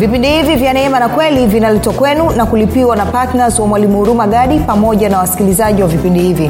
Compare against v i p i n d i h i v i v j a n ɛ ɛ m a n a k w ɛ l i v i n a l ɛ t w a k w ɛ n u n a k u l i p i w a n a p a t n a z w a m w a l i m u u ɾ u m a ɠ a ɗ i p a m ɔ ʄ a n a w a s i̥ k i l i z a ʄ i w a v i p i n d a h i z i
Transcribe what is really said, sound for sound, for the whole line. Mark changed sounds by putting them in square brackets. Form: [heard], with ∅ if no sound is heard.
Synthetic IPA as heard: v i p i n d i h i v i v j a n ɛ ɛ m a n a k w ɛ l i v i n a l ɛ t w a k w ɛ n u n a k u l i p i w a n a p a t n a z w a m w a l i m u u ɾ u m a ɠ a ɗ i p a m ɔ ʄ a n a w a s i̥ k i l i z a ʄ i w a v i p i n d [i] h i [v] i